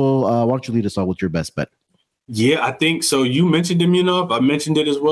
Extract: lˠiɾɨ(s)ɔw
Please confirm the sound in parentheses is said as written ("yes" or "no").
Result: yes